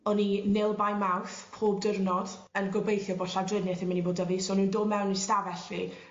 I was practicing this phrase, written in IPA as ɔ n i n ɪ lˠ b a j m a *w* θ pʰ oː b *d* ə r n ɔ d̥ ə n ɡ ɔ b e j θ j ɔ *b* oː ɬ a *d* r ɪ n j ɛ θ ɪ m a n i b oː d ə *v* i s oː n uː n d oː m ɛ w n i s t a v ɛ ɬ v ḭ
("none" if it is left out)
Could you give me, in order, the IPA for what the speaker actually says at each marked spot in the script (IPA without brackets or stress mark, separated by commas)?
w, d, b, d, v